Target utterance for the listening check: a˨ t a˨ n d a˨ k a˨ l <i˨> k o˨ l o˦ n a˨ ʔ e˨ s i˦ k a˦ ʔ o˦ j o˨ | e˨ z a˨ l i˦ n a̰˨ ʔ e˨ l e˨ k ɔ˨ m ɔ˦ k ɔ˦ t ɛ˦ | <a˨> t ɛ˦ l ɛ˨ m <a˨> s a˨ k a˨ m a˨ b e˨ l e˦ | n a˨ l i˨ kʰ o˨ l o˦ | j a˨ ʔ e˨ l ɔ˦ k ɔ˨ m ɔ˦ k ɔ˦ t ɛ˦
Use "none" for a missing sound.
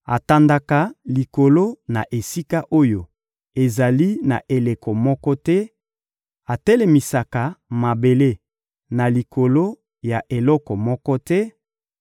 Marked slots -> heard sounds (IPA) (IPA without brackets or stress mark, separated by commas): i˨, a˨, i˨